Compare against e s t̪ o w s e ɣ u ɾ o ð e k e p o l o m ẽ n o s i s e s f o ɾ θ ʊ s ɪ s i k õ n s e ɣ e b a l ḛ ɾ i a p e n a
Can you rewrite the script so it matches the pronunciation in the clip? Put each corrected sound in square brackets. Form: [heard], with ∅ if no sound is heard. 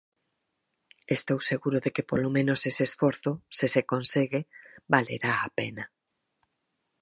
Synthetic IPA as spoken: e s t̪ o w s e ɣ u ɾ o ð e k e p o l o m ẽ n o s [e] s e s f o ɾ θ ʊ s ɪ s [e] k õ n s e ɣ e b a l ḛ ɾ [a] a p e n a